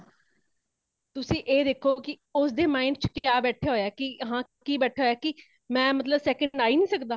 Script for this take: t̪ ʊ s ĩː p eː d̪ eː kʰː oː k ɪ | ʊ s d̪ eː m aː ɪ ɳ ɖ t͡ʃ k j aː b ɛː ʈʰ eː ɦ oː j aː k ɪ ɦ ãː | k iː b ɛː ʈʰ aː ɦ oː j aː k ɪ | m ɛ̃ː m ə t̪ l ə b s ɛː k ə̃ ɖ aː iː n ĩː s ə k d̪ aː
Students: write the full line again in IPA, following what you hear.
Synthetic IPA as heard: t̪ ʊ s ĩː ʔ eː d̪ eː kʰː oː k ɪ | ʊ s d̪ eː m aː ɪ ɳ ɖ t͡ʃ k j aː b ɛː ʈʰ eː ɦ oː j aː k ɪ ɦ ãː | k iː b ɛː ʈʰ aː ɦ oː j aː k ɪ | m ɛ̃ː m ə t̪ l ə b s ɛː k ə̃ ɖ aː iː n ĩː s ə k d̪ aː